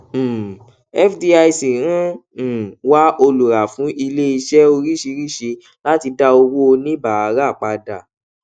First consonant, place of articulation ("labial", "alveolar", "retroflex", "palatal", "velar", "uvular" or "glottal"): labial